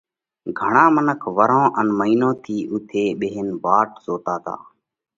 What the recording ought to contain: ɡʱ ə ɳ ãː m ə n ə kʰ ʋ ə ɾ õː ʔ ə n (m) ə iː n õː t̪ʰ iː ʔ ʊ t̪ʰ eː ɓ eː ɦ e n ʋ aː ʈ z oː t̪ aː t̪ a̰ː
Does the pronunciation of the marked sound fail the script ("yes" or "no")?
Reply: no